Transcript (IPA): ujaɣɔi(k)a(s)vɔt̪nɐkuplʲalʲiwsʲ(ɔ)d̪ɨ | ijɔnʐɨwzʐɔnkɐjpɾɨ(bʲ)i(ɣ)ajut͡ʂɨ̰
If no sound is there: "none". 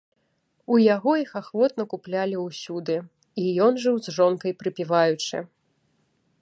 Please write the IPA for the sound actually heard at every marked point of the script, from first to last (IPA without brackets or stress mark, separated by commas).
x, x, u, pʲ, v